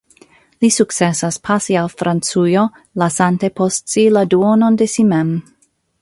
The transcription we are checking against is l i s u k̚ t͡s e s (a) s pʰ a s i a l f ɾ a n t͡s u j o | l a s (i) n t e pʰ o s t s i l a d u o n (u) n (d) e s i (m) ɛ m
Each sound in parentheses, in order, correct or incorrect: correct, incorrect, incorrect, correct, correct

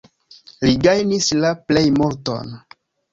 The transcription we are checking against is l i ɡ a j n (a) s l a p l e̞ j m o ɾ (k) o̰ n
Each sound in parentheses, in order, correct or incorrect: incorrect, incorrect

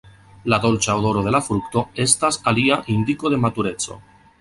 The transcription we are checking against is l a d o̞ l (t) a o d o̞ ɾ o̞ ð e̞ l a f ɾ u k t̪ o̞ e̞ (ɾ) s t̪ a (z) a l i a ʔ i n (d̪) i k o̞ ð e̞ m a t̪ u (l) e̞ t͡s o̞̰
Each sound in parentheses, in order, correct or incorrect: incorrect, incorrect, incorrect, correct, incorrect

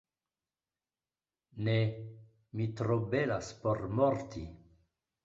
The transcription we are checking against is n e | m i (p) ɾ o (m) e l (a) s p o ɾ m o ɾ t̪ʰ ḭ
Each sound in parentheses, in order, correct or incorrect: incorrect, incorrect, correct

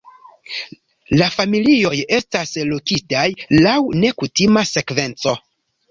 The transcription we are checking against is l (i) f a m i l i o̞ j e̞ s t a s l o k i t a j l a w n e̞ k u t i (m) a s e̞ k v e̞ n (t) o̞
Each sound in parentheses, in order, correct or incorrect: incorrect, correct, incorrect

